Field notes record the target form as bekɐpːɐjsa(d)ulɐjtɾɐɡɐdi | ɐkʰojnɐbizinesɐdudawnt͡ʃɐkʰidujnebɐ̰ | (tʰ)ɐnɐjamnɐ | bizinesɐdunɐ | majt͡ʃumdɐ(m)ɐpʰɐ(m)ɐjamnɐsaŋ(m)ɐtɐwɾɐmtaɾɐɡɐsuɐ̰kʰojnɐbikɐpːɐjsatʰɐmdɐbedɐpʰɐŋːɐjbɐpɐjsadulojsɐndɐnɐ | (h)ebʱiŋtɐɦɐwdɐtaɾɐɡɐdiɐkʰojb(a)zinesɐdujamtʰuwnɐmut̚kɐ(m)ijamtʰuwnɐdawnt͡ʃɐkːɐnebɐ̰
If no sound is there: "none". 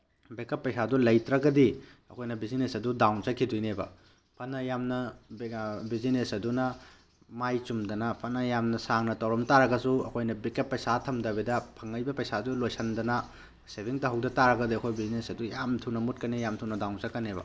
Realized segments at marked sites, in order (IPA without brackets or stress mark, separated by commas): d, pʰ, n, n, n, s, i, n